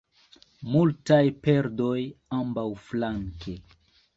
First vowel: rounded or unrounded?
rounded